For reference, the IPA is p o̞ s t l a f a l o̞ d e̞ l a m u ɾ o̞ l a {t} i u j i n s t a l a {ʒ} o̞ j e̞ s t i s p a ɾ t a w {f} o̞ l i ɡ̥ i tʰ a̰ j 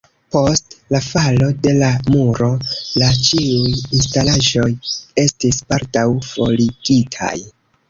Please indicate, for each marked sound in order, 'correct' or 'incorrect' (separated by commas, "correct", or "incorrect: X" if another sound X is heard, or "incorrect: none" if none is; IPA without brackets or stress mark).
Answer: incorrect: t͡ʃ, correct, correct